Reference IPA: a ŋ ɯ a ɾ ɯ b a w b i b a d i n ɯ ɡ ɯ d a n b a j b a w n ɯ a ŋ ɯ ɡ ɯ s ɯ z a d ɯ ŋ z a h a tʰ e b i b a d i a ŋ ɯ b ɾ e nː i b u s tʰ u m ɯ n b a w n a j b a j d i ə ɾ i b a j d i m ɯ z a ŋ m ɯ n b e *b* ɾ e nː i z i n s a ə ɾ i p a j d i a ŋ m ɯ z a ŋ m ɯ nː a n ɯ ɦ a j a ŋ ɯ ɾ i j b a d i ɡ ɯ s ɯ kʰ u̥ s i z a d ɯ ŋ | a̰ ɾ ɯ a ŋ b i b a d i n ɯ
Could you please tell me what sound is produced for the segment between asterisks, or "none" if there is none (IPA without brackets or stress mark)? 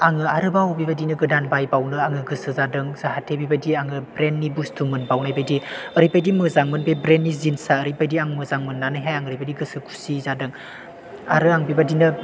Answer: b